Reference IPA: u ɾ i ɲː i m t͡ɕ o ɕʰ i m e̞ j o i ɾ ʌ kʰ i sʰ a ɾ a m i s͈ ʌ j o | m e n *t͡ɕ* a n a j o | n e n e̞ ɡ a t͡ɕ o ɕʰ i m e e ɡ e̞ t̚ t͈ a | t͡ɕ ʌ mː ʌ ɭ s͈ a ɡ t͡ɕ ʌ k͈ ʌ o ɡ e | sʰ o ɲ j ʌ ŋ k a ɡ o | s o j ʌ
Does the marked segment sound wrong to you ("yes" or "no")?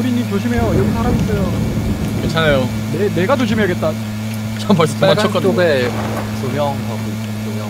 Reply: yes